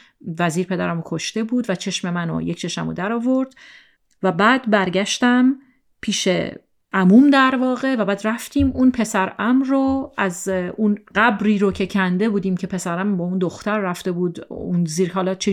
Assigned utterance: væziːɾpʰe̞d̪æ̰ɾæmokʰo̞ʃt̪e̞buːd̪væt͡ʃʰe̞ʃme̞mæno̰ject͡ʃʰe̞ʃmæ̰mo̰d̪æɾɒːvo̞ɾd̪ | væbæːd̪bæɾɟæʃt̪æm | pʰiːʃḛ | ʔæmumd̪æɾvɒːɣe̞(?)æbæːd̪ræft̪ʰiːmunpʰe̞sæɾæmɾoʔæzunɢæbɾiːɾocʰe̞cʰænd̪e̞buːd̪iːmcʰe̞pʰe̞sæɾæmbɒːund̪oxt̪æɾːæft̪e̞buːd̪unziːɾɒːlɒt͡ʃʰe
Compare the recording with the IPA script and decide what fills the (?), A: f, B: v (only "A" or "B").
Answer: B